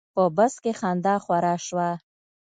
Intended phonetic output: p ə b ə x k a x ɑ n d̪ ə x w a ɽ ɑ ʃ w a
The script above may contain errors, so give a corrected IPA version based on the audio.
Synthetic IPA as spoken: p ə b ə s k e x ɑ n d̪ ɑ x w a ɾ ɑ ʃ w a